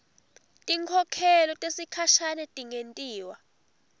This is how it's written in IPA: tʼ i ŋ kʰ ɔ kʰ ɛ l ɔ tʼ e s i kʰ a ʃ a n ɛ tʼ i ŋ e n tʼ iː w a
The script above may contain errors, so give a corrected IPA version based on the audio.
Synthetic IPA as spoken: tʼ i ŋ kʰ ɔ kʰ ɛ l ɔ tʼ e s i kʰ a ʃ a n ɛ tʼ i ŋ e n tʼ iː w a

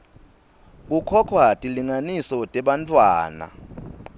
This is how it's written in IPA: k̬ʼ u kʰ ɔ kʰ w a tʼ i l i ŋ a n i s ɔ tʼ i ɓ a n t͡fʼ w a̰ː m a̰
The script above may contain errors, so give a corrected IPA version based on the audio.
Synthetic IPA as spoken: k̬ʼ u kʰ ɔ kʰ w a tʼ i l i ŋ a n i s ɔ tʼ ɛ ɓ a n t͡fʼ w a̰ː n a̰

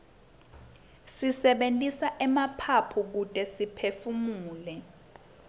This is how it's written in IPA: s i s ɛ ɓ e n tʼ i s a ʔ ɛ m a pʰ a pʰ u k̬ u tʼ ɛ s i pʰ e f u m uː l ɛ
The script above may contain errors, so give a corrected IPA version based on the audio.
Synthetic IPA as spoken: s i s ɛ ɓ e n tʼ i s a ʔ ɛ m a pʰ a pʰ u k̬ u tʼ ɛ s i pʰ e f u m uː l ɛ

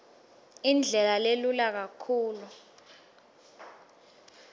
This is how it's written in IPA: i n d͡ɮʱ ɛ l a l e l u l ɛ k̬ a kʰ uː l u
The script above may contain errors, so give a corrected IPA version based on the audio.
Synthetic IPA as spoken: i n d͡ɮʱ ɛ l a l e l u l a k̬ a kʰ uː l u

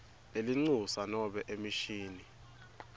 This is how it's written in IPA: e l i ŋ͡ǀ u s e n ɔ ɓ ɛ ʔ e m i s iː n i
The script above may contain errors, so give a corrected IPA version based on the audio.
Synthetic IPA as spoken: e l i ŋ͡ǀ u s a n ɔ ɓ ɛ ʔ e m i ʃ iː n i

